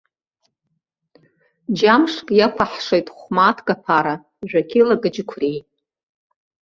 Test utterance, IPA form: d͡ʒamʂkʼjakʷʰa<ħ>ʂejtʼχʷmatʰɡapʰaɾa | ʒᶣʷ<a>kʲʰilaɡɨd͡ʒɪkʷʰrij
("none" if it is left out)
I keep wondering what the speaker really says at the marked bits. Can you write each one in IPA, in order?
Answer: ħ, a

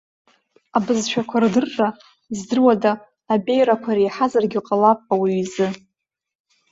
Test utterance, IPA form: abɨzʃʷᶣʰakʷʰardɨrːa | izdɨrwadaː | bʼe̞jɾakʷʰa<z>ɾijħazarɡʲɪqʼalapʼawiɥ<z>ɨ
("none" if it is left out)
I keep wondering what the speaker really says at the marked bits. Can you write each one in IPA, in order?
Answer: none, z

